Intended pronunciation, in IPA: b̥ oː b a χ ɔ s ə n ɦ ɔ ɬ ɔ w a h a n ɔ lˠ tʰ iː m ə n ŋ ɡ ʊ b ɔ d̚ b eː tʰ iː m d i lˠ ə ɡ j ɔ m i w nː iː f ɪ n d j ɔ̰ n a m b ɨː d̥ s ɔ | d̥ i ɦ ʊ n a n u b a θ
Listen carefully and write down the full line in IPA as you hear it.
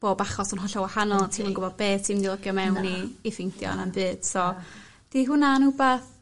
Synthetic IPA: b̥ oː b a χ ɔ s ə n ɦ ɔ ɬ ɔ w a h a n ɔ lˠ tʰ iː m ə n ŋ ɡ ʊ b ɔ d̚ b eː tʰ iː m d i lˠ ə ɡ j ɔ m ɛ w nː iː f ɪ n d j ɔ̰ n a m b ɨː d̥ s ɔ | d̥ i ɦ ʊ n a n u b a θ